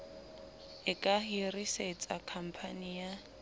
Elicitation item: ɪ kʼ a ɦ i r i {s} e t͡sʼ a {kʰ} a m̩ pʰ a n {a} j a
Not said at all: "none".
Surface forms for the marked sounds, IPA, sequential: s, kʰ, i

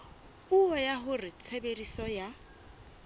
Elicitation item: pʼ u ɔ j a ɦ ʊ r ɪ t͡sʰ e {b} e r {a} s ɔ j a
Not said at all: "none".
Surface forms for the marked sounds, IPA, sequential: b, i

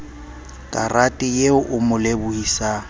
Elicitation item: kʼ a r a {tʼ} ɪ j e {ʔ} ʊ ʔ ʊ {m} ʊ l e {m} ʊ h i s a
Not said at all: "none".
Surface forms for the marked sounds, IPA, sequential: tʼ, none, m, b

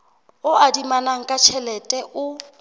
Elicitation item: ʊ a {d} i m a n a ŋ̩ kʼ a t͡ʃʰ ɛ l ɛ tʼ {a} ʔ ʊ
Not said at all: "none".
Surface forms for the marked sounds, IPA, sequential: d, ɛ

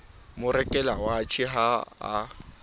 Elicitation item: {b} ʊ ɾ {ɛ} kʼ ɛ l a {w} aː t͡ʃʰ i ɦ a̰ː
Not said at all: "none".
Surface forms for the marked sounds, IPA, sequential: m, ɛ, w

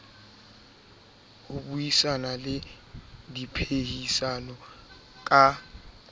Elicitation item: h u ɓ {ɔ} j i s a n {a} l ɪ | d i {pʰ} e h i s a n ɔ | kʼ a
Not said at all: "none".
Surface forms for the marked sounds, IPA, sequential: u, a, pʰ

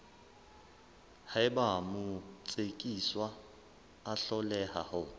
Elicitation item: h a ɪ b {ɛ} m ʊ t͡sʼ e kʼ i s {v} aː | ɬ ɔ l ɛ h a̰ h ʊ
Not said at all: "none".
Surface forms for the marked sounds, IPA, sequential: a, w

